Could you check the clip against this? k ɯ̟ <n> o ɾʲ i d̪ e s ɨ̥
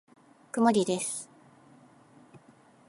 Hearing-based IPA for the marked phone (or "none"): m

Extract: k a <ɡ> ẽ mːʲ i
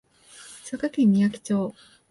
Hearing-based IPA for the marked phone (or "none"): k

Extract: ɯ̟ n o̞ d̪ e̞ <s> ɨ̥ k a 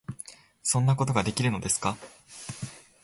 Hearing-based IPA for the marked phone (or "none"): s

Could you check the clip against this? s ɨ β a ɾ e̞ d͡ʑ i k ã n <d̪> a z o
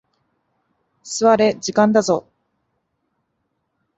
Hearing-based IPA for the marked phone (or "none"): d̪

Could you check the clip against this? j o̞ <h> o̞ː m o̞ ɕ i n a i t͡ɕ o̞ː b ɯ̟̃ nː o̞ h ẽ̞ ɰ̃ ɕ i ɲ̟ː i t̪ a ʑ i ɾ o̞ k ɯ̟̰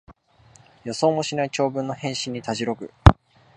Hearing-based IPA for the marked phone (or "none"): s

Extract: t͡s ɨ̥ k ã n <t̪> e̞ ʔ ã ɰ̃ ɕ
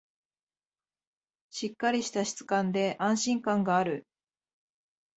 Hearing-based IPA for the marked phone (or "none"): d̪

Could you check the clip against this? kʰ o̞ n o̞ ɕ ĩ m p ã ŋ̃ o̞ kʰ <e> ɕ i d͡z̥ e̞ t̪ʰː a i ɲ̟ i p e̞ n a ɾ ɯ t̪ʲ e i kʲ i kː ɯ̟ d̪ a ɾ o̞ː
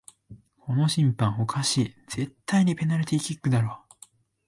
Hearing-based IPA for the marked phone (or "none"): a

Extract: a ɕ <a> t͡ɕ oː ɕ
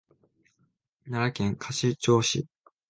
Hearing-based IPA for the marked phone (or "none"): i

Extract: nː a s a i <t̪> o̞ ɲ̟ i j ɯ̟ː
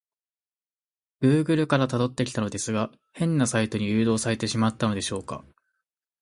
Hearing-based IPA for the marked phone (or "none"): t̪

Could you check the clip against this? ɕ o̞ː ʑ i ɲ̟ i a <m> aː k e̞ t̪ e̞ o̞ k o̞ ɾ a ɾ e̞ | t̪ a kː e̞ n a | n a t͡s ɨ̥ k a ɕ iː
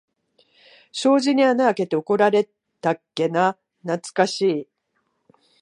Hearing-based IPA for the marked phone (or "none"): n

